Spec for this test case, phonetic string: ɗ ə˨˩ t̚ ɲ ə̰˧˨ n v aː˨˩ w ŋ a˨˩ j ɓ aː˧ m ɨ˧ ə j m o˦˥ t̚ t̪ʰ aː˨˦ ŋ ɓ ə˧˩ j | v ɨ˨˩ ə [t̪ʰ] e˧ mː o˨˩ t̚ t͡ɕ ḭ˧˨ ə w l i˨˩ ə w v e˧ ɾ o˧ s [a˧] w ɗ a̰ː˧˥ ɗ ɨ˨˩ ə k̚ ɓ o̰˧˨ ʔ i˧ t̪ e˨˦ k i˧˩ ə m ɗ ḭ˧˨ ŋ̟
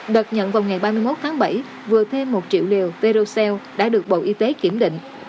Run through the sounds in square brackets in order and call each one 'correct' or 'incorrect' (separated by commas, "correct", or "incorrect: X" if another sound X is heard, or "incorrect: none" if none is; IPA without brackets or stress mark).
correct, incorrect: ɛ˧